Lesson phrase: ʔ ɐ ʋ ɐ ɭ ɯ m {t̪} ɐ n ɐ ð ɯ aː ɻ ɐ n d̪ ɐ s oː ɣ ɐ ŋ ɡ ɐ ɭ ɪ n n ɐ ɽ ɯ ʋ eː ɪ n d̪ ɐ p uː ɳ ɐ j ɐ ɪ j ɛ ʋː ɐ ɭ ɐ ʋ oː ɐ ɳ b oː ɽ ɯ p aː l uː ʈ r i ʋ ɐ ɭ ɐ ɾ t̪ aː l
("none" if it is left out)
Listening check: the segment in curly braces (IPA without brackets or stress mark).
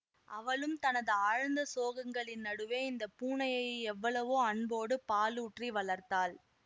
t̪